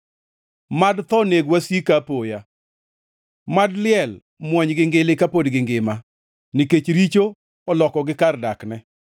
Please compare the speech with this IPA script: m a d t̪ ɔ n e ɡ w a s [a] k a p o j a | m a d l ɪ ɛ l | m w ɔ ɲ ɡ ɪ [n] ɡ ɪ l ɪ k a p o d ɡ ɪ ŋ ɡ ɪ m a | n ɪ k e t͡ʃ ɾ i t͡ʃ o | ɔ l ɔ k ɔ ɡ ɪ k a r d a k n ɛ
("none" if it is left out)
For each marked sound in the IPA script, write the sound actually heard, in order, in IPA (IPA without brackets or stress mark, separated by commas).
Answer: i, ŋ